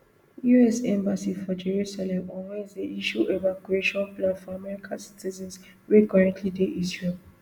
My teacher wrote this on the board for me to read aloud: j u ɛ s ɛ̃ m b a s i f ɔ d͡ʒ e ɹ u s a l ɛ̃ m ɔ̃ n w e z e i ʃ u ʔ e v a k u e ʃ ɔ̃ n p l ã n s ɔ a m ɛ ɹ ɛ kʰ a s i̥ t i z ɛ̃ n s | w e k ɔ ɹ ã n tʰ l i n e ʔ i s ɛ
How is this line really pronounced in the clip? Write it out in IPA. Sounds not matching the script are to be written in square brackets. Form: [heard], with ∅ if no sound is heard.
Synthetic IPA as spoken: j u ɛ s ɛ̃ m b a s i f ɔ d͡ʒ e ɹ u s a l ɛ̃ m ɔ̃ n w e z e i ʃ u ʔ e v a k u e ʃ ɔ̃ n p l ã n [f] ɔ a m ɛ ɹ [i] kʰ a s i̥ t i z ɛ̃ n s | w e k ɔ ɹ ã n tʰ l i [d] e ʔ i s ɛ